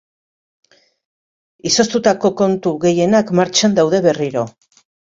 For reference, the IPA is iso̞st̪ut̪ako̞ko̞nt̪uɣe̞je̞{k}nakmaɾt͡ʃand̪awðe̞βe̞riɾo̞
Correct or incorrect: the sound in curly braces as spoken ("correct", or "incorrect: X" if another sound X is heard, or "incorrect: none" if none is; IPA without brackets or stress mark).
incorrect: none